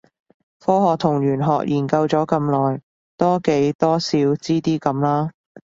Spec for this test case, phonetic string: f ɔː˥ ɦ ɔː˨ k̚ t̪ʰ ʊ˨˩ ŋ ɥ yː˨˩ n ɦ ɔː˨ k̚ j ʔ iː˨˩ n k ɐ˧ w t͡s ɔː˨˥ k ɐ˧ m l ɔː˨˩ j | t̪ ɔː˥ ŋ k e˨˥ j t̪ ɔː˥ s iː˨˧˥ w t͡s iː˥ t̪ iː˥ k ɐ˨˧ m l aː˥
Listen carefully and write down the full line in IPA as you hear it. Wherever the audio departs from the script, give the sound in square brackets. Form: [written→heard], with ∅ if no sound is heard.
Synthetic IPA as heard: f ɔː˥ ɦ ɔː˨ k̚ t̪ʰ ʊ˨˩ ŋ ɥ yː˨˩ n ɦ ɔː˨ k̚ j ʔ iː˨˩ n k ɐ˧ w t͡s ɔː˨˥ k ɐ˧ m l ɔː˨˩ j | t̪ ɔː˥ [ŋ→∅] k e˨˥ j t̪ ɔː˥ s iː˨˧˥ w t͡s iː˥ t̪ iː˥ k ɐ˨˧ m l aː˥